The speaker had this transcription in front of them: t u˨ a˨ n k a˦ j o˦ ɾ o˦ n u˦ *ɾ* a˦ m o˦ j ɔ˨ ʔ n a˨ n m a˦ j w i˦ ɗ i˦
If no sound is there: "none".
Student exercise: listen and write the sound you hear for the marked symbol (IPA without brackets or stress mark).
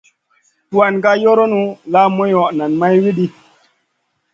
l